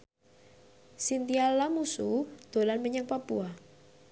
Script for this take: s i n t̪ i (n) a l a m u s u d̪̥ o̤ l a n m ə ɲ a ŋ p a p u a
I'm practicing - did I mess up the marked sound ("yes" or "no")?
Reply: yes